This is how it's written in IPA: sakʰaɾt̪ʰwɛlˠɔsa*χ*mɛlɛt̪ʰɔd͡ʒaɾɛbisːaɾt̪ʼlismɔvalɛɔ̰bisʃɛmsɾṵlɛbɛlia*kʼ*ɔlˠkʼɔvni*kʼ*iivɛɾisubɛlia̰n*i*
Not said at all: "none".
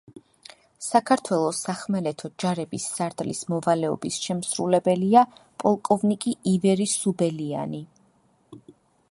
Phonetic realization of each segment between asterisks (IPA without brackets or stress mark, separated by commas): χ, pʼ, kʼ, i